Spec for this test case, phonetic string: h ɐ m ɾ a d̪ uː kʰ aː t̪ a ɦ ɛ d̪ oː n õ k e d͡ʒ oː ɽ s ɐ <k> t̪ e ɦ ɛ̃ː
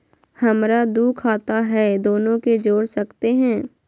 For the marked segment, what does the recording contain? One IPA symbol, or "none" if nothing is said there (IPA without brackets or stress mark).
k